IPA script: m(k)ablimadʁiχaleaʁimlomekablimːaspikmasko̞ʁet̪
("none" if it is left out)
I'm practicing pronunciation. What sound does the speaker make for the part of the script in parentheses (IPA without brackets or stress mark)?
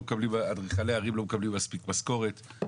k